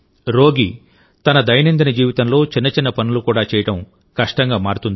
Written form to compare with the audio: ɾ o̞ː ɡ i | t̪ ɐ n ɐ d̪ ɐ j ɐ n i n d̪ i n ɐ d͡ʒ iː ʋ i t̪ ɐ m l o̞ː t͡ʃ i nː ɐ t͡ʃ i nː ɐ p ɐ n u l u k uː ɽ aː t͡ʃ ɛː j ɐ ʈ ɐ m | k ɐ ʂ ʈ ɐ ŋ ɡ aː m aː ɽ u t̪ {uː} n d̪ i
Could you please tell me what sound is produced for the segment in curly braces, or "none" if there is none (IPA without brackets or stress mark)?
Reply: u